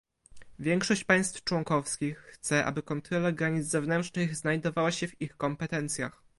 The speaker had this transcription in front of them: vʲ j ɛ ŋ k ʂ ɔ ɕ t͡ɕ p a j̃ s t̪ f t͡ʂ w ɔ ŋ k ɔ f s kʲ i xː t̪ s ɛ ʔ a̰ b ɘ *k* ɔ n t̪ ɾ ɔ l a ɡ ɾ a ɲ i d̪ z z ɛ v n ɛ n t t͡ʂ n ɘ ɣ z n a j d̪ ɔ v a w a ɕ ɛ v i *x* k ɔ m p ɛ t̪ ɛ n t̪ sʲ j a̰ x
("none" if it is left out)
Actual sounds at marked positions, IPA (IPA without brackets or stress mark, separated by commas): k, x